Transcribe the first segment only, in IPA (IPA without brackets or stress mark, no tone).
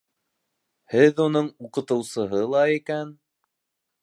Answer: h